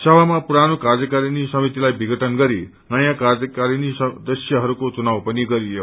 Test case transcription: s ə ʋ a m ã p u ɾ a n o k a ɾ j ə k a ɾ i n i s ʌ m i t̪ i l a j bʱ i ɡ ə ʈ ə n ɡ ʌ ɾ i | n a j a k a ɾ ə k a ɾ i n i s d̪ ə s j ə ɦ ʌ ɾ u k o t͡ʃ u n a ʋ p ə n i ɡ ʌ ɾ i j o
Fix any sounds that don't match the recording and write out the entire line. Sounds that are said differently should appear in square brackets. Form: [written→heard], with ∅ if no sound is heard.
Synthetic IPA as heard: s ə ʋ a m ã p u ɾ a n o k a ɾ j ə k a ɾ i n i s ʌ m i t̪ i l a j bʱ i ɡ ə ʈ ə n ɡ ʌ ɾ i | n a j a k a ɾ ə k a ɾ i n i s d̪ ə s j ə ɦ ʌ ɾ u k o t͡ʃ u n a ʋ p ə n i ɡ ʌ ɾ i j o